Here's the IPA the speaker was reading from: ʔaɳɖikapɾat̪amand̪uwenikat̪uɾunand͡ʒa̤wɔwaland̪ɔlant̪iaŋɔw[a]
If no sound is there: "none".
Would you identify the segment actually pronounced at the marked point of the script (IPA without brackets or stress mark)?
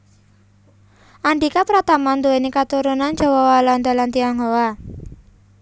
a